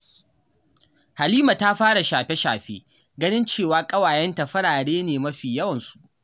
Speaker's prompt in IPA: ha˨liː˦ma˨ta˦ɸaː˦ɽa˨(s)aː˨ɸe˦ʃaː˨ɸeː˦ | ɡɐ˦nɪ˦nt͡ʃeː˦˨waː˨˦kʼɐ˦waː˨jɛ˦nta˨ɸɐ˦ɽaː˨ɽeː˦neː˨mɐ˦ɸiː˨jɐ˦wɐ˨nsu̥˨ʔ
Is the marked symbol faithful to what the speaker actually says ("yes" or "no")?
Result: no